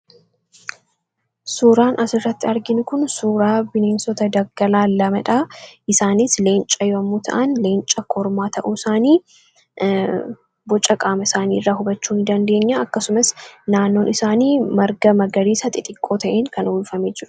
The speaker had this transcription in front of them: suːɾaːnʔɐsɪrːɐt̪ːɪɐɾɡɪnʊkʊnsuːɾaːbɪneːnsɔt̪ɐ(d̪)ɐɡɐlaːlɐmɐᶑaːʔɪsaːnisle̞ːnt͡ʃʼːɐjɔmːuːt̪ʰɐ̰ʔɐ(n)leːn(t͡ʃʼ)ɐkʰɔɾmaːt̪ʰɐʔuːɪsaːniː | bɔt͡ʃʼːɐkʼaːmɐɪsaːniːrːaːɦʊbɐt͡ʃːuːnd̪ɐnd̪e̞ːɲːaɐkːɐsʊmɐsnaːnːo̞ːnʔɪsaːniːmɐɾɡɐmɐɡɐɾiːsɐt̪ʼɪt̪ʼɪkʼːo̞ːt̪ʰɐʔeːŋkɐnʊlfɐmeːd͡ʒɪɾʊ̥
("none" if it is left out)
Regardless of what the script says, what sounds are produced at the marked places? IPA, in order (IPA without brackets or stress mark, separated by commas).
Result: d̪, n, t͡ʃʼ